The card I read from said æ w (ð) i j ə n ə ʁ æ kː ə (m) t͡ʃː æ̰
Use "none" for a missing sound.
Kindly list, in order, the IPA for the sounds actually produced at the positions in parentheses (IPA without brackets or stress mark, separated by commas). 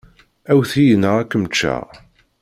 θ, m